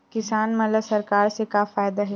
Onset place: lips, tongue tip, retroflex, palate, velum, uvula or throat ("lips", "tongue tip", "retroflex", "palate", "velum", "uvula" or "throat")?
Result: velum